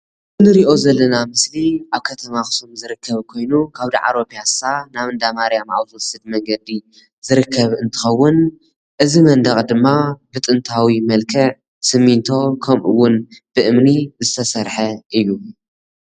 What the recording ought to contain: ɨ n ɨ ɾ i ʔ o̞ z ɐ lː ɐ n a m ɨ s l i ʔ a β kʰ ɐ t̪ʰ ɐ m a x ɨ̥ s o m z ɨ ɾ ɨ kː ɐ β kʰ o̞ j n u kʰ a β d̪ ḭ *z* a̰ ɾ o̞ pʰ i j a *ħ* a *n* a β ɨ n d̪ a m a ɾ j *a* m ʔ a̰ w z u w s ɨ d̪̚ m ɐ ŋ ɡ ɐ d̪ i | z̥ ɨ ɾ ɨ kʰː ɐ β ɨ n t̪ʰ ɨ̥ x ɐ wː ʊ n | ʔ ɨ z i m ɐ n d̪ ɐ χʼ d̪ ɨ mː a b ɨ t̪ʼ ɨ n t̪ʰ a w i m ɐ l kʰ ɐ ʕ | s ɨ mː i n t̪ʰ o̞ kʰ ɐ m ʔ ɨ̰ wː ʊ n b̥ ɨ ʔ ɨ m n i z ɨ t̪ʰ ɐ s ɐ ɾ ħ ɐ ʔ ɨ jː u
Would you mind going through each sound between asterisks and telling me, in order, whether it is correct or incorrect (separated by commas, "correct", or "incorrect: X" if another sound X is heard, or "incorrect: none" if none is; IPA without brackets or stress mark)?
incorrect: ʕ, incorrect: s, correct, correct